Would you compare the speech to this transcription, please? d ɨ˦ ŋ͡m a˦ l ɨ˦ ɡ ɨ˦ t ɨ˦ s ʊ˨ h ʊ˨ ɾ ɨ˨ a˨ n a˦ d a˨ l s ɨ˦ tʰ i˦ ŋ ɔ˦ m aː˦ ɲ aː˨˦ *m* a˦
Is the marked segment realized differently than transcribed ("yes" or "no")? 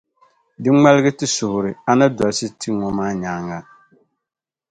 yes